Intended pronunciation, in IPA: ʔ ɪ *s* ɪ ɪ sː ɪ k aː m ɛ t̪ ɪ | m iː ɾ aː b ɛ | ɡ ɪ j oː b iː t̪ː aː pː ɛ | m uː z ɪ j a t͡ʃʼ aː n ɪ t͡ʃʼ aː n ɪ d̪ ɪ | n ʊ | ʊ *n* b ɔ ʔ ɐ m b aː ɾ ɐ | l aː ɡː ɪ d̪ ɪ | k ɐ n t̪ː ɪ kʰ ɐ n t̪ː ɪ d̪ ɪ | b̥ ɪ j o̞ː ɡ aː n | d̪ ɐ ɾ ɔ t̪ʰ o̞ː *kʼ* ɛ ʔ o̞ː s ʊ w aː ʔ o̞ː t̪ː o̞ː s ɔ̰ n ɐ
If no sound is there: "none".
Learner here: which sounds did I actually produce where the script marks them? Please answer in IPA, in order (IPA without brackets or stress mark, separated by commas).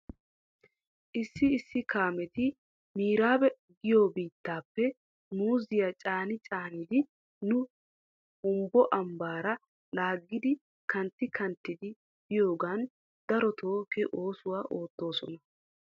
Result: sː, m, k